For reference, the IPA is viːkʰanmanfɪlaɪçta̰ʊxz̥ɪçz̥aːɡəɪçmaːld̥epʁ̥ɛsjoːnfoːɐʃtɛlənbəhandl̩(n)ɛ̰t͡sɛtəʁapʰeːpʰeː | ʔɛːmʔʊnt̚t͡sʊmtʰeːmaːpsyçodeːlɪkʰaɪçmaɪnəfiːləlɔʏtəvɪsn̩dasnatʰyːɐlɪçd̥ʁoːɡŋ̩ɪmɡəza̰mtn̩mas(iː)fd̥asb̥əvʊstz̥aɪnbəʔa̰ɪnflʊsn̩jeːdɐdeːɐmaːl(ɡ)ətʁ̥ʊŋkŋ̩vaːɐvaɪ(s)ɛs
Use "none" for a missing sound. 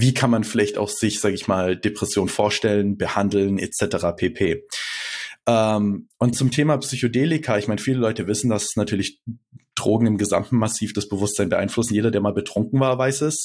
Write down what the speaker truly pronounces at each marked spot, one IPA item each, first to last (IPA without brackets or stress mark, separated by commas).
n, iː, b, s